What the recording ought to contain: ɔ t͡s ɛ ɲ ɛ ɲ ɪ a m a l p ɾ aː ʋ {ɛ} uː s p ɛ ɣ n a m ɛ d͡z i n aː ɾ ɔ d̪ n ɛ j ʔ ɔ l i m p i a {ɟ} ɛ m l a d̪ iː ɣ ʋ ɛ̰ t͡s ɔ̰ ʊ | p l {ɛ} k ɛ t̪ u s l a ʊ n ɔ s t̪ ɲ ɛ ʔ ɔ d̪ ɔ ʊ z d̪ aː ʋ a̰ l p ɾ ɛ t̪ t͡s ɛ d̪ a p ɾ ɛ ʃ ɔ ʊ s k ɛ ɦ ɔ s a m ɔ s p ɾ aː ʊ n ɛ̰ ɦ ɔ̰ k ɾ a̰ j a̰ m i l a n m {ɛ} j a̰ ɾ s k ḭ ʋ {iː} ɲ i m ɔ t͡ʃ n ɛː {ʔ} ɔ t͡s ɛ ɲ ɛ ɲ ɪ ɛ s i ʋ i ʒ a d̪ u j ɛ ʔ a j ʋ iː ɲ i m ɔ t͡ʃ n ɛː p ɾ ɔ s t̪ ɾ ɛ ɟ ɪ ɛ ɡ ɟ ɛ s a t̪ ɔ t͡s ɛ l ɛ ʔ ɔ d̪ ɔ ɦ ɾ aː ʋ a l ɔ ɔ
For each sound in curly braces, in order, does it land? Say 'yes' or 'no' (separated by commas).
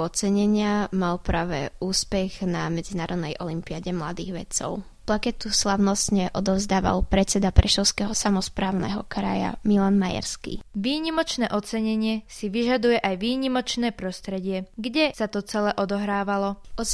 yes, yes, no, no, yes, yes